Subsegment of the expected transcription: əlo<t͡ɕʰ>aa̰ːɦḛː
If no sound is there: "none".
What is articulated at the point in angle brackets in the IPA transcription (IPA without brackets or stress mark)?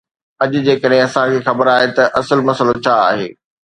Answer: t͡ɕʰ